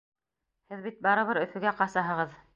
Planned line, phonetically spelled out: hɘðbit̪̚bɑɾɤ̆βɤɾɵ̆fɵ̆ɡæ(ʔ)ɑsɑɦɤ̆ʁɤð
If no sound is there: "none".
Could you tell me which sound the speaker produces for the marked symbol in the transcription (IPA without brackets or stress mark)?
q